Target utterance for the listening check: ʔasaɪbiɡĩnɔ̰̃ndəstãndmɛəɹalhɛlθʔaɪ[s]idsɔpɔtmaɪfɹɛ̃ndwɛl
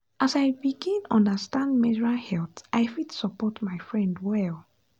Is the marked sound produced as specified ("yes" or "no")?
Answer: no